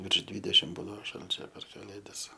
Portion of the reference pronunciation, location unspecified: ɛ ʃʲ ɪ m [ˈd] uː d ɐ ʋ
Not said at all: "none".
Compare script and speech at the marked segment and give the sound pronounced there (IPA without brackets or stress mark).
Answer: b